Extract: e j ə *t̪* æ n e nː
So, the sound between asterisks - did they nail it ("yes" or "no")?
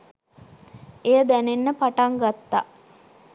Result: no